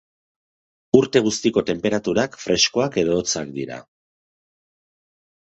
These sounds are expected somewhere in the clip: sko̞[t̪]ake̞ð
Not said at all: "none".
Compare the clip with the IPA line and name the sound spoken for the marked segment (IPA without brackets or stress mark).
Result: none